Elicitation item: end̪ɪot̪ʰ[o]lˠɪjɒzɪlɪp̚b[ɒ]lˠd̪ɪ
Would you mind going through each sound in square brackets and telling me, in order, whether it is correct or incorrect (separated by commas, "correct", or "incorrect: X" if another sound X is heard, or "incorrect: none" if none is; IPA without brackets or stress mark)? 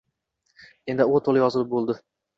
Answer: correct, incorrect: o